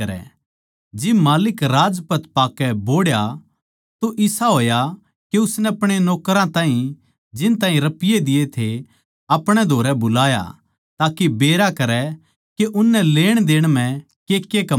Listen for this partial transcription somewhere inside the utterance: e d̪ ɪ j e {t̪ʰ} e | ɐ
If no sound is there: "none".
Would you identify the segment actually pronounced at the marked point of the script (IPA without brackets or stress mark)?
t̪ʰ